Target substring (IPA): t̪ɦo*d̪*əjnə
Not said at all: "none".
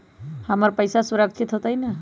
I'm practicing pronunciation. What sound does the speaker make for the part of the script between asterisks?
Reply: t̪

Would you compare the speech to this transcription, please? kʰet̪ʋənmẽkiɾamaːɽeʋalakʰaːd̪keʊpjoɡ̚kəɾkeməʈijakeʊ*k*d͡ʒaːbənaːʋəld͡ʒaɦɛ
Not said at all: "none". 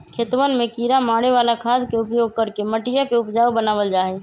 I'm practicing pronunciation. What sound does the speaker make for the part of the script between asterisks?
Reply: p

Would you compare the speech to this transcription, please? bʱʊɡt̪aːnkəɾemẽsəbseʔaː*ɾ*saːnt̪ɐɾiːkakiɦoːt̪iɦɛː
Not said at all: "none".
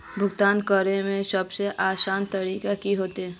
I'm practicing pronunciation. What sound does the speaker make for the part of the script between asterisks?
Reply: none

